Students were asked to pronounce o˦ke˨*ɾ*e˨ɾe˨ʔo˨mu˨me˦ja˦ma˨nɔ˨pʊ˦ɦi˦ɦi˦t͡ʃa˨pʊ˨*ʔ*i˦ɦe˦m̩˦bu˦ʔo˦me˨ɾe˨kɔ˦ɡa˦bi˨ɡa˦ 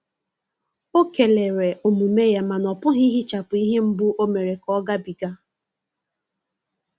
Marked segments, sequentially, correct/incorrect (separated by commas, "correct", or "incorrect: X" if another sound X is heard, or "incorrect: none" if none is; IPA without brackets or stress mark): incorrect: l, incorrect: none